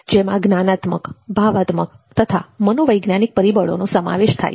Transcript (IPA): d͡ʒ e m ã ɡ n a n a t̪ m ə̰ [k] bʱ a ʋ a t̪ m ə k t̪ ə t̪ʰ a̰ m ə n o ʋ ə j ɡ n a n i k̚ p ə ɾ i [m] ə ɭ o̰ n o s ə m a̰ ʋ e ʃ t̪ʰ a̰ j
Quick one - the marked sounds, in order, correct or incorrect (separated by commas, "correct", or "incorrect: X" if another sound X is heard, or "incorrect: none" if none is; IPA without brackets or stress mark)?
correct, incorrect: b